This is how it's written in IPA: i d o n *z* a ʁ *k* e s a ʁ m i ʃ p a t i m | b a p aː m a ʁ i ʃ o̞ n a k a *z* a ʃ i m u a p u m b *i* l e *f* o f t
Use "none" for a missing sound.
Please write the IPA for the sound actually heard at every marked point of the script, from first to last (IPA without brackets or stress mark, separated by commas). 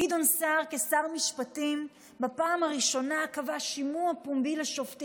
s, k, v, i, ʃ